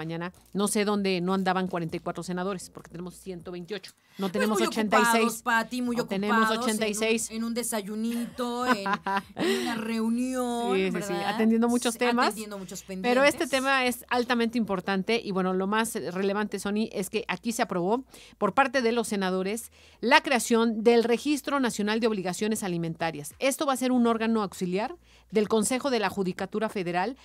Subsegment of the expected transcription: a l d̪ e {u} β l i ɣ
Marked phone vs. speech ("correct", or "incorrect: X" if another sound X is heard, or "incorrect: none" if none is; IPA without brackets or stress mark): incorrect: o